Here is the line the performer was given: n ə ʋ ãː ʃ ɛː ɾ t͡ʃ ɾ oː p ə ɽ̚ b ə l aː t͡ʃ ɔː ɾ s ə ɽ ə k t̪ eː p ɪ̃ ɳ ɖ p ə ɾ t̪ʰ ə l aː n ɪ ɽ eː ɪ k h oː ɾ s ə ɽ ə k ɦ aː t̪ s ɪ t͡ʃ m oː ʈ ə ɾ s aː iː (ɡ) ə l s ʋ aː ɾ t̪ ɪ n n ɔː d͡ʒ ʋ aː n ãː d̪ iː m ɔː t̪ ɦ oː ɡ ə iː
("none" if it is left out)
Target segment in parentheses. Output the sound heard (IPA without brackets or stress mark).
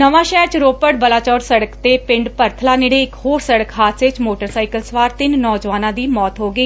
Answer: k